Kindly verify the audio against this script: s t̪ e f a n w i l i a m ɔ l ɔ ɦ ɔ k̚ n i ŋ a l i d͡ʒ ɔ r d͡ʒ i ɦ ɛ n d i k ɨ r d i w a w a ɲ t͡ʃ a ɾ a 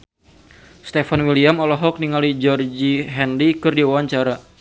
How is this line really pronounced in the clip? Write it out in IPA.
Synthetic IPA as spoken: s t̪ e f a n w i l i a m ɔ l ɔ ɦ ɔ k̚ n i ŋ a l i d͡ʒ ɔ r d͡ʒ i ɦ ɛ n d i k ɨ r d i w a w a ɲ t͡ʃ a ɾ a